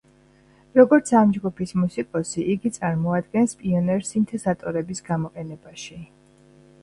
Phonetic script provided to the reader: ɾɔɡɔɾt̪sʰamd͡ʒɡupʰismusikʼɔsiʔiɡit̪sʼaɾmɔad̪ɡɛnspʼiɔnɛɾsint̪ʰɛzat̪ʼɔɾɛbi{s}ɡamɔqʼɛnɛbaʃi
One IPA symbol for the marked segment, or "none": s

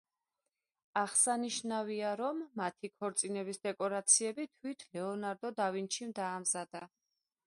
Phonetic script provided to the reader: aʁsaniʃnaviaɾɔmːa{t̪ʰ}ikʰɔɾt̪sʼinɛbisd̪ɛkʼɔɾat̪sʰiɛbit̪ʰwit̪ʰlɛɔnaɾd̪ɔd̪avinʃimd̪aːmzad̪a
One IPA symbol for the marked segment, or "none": t̪ʰ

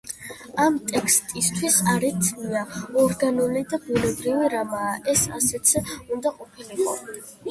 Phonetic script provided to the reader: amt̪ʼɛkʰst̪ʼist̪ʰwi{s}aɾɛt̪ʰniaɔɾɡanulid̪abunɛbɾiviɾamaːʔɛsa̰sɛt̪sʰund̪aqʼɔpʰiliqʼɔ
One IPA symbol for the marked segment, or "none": s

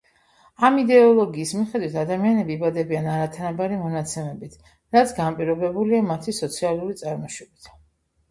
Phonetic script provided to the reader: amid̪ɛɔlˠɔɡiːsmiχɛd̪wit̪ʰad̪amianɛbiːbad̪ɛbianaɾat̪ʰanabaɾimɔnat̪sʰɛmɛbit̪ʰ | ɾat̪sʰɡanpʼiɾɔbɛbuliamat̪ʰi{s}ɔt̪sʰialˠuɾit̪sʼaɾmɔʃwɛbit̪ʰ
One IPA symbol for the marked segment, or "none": s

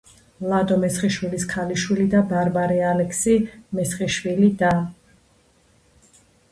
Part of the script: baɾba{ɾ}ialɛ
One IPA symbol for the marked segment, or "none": ɾ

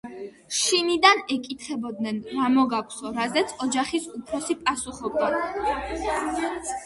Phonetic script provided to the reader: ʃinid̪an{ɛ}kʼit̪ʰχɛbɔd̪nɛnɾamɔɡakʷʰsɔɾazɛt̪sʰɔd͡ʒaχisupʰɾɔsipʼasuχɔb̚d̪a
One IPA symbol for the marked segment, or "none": ɛ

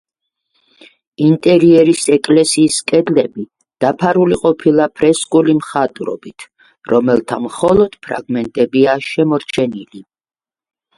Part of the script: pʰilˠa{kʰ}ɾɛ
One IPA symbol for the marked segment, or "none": pʰ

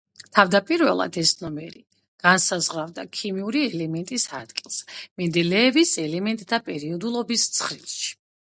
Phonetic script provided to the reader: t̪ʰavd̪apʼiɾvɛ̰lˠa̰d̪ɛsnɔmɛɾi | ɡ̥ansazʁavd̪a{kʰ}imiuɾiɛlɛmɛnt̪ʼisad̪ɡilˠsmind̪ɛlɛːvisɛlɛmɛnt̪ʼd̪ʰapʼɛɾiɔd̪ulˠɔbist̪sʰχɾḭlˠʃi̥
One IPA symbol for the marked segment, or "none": kʰ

